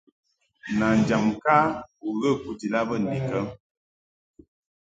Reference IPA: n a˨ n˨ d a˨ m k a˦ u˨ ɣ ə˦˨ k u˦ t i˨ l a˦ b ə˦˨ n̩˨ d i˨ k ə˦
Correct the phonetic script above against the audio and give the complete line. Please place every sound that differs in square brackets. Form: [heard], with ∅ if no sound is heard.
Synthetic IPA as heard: n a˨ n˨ [d͡ʒ] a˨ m k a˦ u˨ ɣ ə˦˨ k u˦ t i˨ l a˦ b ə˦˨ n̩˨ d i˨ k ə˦